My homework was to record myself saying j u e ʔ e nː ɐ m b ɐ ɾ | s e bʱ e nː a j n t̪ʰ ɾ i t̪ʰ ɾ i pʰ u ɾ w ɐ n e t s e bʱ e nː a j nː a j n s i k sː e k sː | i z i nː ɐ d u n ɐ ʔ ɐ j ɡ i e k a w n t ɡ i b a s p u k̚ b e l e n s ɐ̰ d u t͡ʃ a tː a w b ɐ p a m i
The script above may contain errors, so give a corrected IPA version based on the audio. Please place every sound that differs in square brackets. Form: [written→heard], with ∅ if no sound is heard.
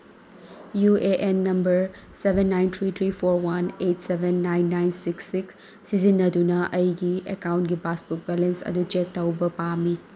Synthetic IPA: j u e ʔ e nː ɐ m b ɐ ɾ | s e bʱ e nː a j n t̪ʰ ɾ i t̪ʰ ɾ i pʰ [u→o] ɾ w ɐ n e t s e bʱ e nː a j nː a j n s i k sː [e→i] k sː | i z i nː ɐ d u n ɐ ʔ ɐ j ɡ i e k a w n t ɡ i b a s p u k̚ b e l e n s ɐ̰ d u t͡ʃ [a→e] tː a w b ɐ p a m i